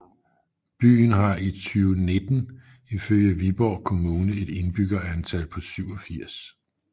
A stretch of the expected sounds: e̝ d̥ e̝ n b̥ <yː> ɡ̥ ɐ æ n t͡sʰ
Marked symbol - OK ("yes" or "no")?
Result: no